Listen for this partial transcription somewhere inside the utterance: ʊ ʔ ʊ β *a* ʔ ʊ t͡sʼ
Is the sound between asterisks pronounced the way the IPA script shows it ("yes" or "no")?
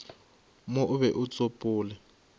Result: no